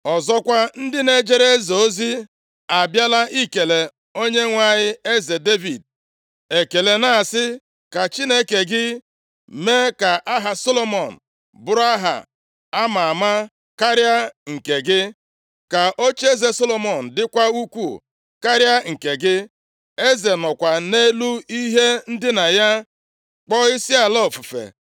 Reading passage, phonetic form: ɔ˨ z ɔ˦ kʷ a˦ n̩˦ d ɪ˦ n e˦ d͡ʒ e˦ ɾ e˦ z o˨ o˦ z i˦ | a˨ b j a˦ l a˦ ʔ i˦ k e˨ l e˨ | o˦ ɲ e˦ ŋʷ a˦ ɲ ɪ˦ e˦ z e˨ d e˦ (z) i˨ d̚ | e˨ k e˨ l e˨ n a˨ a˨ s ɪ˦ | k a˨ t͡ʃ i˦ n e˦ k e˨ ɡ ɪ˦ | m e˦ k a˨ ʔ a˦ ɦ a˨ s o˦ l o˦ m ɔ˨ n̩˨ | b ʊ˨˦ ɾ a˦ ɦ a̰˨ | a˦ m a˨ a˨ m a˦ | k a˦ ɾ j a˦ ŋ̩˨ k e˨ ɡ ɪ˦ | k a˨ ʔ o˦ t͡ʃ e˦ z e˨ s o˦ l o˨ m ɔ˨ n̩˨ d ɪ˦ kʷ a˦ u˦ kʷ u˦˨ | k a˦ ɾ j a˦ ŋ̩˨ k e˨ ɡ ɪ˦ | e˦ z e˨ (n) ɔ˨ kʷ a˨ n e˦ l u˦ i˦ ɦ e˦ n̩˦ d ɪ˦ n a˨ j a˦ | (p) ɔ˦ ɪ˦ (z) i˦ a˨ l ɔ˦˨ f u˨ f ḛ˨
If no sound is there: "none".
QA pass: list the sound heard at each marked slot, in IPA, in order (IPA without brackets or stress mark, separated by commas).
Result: v, n, k͡p, s